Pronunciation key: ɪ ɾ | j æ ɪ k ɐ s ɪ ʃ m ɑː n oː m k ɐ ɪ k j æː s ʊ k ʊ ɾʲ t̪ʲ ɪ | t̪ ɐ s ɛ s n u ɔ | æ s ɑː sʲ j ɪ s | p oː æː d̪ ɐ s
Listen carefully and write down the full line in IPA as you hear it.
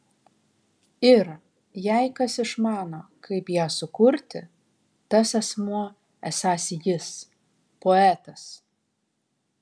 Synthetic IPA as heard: ɪ ɾ | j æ ɪ k ɐ s ɪ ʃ m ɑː n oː k ɐ ɪ p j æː s ʊ k ʊ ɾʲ t̪ʲ ɪ | t̪ ɐ s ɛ s m u ɔ | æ s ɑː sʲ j ɪ s | p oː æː t̪ ɐ s

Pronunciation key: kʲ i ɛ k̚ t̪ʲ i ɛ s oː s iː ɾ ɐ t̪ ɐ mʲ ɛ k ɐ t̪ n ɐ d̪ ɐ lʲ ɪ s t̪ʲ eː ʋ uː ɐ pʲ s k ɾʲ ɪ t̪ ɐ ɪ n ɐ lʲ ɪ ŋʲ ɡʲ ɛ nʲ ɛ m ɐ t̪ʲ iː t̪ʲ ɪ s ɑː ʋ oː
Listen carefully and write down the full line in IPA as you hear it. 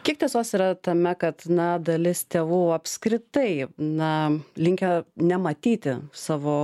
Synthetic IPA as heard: kʲ i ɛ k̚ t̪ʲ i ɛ s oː s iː ɾ ɐ t̪ ɐ mʲ ɛ k ɐ t̪ n ɐ d̪ ɐ lʲ ɪ s t̪ʲ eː ʋ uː ɐ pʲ s k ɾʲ ɪ t̪ ɐ ɪ n ɐ lʲ ɪ ŋʲ kʲ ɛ nʲ ɛ m ɐ t̪ʲ iː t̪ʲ ɪ s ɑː ʋ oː

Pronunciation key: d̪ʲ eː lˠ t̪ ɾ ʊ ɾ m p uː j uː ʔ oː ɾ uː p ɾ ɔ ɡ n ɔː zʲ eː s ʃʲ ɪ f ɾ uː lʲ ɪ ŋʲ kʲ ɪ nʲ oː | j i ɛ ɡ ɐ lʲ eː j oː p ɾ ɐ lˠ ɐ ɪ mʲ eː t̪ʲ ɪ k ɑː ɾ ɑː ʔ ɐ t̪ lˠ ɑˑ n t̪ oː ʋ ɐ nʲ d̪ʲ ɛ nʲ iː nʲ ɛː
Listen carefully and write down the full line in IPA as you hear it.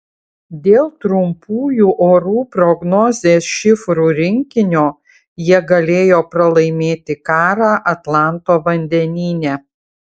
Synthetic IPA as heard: d̪ʲ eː lˠ t̪ ɾ ʊ m p uː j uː ʔ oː ɾ uː p ɾ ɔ ɡ n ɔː zʲ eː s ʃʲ ɪ f ɾ uː ɾʲ ɪ ŋʲ kʲ ɪ nʲ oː | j i ɛ ɡ ɐ lʲ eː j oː p ɾ ɐ lˠ ɐ ɪ mʲ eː t̪ʲ ɪ k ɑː ɾ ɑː ʔ ɐ t̪ lˠ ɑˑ n t̪ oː ʋ ɐ nʲ d̪ʲ ɛ nʲ iː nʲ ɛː

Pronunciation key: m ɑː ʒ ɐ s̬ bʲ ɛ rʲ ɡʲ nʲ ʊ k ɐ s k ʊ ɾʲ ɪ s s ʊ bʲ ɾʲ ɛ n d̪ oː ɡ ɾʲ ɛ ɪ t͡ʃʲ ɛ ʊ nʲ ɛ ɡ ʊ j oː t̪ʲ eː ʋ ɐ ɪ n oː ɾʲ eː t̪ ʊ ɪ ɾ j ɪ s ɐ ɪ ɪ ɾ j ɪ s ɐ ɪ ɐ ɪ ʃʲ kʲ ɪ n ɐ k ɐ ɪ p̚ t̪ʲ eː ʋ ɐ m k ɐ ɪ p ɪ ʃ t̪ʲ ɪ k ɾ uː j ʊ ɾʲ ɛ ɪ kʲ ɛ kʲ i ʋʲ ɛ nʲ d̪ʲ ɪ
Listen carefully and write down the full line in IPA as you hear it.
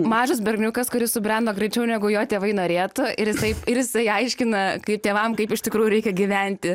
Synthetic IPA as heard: m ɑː ʒ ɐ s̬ bʲ ɛ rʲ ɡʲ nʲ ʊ k ɐ s k ʊ ɾʲ ɪ s s ʊ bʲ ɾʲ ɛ n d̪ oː ɡ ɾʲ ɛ ɪ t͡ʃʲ ɛ ʊ nʲ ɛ ɡ ʊ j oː t̪ʲ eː ʋ ɐ ɪ n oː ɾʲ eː t̪ ʊ ɪ ɾ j ɪ s ɐ ɪ ɪ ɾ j ɪ s ɐ ɪ ɐ ɪ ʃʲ kʲ ɪ n ɐ k ɐ ɪ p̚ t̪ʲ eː ʋ ɐ m k ɐ ɪ p ɪ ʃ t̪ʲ ɪ k ɾ uː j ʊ ɾʲ ɛ ɪ kʲ ɛ ɡʲ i ʋʲ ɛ nʲ t̪ʲ ɪ

